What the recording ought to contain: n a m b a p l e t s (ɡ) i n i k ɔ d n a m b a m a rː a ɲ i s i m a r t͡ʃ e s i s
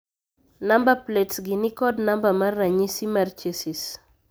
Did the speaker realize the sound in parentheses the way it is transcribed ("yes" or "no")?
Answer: yes